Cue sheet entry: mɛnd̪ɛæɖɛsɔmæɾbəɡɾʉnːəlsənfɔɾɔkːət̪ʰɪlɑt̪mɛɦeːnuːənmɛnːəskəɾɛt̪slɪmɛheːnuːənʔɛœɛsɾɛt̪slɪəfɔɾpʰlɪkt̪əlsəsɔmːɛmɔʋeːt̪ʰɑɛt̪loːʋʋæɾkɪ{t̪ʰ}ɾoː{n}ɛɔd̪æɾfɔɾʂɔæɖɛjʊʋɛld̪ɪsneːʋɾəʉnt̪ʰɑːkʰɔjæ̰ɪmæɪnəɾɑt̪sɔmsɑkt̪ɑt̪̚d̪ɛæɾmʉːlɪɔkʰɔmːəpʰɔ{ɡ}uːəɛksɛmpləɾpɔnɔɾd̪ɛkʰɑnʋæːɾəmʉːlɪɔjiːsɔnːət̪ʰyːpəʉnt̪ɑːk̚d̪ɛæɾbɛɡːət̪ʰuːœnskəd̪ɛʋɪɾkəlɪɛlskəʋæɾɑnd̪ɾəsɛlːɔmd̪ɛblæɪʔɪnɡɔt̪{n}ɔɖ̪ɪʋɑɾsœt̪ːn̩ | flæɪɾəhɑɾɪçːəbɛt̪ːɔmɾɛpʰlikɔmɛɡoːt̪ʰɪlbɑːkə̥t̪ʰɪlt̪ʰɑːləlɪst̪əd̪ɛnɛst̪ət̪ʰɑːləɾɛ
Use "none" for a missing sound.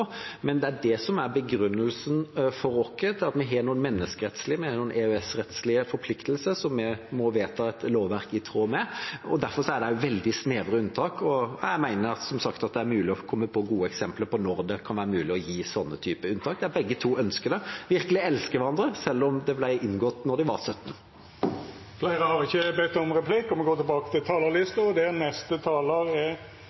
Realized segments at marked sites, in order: t̪ʰ, m, ɡ, n

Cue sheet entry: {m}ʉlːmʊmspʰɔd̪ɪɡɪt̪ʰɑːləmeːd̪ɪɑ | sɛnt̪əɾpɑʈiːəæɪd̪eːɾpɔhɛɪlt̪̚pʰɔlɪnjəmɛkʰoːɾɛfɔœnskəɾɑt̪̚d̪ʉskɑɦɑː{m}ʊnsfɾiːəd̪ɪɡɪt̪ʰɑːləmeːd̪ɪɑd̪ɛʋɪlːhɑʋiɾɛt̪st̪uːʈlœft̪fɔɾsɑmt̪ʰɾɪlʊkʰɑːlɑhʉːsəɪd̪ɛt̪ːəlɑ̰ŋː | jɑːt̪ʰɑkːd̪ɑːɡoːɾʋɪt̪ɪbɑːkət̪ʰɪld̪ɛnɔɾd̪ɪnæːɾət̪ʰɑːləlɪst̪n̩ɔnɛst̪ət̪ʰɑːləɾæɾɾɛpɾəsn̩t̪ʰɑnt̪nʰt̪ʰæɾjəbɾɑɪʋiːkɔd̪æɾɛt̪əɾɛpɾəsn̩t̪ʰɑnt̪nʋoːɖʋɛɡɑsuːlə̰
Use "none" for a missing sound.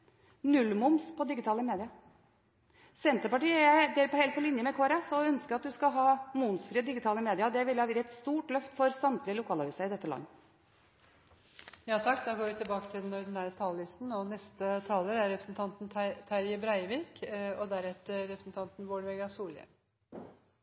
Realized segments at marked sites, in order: n, m

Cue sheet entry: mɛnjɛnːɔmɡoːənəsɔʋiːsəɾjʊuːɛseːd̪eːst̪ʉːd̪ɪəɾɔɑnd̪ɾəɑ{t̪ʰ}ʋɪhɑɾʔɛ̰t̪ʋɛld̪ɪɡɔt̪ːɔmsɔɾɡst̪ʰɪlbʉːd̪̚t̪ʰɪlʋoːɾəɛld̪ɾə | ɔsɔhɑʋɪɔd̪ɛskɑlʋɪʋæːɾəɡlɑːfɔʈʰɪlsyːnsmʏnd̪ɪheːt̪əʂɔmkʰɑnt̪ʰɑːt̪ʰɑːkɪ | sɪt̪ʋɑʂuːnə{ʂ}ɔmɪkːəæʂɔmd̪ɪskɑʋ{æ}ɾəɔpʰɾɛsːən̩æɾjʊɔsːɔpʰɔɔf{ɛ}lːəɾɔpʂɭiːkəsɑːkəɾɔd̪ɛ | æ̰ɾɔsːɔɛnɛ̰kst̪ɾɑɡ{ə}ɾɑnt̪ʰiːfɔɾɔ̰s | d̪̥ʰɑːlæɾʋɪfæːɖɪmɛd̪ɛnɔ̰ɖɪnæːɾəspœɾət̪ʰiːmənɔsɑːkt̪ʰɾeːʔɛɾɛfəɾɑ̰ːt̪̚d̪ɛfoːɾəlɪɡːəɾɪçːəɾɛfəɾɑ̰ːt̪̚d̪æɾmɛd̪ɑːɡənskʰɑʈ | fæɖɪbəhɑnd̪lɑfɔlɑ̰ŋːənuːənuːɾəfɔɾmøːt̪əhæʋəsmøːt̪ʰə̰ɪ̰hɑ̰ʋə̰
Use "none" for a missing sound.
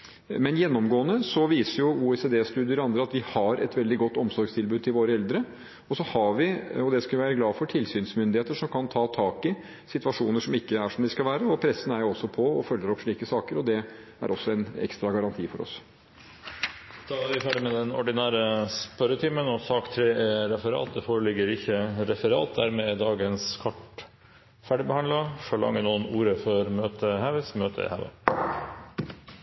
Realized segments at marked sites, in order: t̪, ʂ, æː, œ, ɑ

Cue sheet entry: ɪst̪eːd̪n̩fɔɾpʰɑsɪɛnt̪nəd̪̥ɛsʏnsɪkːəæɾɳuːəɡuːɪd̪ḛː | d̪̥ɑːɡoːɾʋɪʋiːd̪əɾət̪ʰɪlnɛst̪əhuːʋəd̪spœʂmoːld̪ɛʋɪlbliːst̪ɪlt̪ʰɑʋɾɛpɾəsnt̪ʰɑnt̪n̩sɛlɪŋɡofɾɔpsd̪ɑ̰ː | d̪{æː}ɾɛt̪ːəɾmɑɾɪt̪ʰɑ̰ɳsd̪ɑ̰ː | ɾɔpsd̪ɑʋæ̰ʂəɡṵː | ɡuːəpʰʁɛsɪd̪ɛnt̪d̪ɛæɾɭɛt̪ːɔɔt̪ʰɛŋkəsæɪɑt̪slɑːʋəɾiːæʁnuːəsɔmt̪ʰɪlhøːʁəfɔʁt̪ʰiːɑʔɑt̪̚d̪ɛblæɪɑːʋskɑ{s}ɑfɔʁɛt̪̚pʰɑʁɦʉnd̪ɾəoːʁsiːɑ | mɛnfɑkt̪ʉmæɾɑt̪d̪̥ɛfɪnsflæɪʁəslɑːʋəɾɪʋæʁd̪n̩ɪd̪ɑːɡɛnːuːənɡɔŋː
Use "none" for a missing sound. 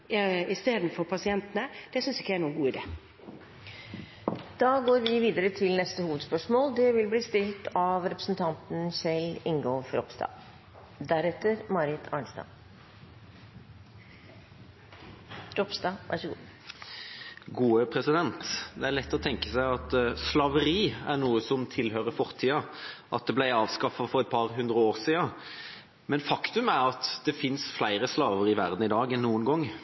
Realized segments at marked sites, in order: æ, f

